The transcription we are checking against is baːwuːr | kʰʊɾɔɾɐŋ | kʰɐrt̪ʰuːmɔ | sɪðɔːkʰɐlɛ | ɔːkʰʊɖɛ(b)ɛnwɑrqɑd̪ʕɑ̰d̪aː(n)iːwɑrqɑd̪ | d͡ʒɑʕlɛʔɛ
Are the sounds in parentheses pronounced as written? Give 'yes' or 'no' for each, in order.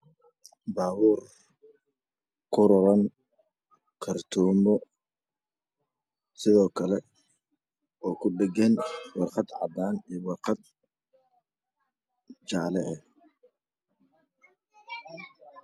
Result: no, yes

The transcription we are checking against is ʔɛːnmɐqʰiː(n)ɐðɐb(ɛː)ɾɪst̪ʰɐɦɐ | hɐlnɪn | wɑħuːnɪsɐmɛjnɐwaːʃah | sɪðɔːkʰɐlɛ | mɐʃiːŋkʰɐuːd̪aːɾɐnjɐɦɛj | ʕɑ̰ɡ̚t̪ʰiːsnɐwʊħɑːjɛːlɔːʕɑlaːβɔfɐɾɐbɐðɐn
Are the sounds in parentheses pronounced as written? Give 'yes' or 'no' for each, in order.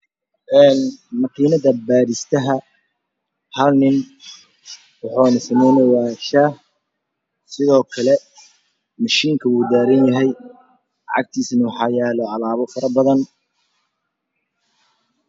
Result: yes, no

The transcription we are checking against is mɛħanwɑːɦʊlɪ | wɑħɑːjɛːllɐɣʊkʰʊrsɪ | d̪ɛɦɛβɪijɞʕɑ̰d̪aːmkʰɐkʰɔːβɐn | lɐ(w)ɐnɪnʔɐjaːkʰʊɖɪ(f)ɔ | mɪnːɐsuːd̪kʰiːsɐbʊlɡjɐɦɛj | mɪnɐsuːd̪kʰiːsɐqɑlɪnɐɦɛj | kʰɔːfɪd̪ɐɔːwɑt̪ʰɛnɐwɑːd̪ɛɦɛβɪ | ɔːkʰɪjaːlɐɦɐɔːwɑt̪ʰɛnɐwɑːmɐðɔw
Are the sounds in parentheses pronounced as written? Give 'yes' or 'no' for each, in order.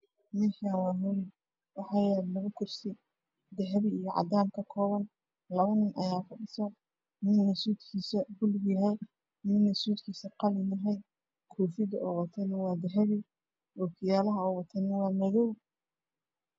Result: no, no

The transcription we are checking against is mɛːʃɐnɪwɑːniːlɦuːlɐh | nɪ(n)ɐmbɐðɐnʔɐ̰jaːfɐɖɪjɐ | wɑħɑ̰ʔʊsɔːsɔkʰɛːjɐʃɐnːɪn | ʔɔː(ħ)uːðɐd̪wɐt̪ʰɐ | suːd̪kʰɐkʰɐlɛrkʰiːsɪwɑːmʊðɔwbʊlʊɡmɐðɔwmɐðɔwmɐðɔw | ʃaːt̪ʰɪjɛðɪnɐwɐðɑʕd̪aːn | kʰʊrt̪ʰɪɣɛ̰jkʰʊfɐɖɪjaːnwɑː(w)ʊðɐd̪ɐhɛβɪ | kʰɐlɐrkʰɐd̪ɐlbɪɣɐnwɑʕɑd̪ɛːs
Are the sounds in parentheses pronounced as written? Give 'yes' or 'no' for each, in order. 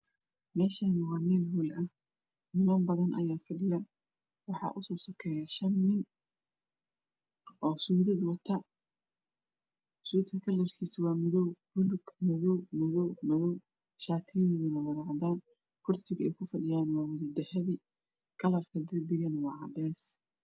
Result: no, no, yes

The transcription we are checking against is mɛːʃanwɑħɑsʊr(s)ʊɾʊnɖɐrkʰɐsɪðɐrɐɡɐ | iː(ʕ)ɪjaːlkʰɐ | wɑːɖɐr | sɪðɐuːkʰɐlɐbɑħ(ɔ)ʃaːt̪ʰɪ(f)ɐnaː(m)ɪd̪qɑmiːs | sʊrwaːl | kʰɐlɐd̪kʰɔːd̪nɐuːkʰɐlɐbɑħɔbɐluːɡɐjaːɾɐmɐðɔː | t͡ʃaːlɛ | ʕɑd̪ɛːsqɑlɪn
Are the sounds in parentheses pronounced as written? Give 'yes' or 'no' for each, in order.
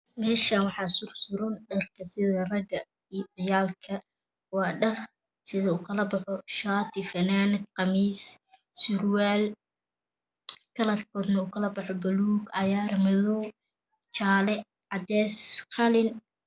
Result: yes, yes, yes, yes, no

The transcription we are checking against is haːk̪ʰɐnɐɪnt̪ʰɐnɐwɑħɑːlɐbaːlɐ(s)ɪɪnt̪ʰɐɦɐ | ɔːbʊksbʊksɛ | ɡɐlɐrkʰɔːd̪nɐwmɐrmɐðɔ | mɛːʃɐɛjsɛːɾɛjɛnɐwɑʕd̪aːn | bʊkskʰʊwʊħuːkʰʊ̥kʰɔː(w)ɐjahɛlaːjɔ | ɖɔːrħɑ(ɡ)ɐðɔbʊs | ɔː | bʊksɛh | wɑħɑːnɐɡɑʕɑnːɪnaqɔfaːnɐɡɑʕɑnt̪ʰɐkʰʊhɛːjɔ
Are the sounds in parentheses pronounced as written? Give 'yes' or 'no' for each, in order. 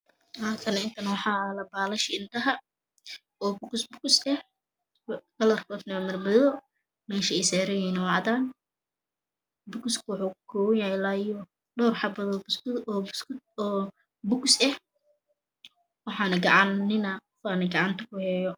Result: no, yes, no

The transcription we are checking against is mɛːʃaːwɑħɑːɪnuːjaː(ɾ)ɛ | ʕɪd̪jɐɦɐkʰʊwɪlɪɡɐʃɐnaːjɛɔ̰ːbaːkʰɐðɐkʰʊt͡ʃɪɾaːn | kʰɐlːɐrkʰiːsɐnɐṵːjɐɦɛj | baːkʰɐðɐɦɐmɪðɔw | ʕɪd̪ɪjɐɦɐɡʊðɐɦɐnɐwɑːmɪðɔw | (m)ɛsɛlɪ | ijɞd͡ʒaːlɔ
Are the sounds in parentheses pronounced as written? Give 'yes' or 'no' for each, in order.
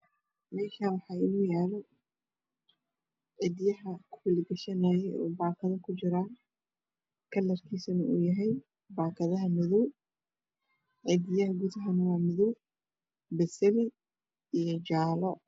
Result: no, no

